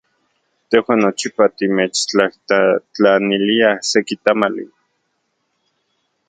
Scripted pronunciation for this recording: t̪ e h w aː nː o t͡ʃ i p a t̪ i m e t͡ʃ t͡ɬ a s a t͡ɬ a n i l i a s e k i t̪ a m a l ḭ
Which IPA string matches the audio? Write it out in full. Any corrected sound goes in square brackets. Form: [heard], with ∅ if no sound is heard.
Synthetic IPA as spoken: t̪ e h w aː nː o t͡ʃ i p a t̪ i m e t͡ʃ t͡ɬ a [h] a t͡ɬ a n i l i a s e k i t̪ a m a l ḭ